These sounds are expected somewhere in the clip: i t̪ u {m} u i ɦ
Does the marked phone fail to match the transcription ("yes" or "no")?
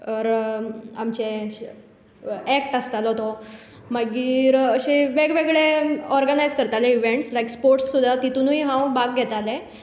yes